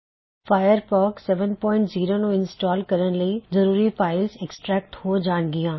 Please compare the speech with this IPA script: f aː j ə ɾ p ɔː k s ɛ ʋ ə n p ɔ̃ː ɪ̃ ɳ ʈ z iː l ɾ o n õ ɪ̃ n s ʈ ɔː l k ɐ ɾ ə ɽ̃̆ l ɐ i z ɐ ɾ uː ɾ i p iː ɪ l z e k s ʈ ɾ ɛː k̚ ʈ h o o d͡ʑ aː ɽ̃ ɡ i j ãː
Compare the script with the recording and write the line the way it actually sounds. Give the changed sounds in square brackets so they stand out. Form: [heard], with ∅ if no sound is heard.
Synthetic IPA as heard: f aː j ə ɾ p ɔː k s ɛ ʋ ə n p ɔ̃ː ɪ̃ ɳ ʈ z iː [∅] ɾ o n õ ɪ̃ n s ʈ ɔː l k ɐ ɾ ə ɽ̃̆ l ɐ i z ɐ ɾ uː ɾ i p [aː] ɪ l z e k s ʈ ɾ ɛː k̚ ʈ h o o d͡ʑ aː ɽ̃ ɡ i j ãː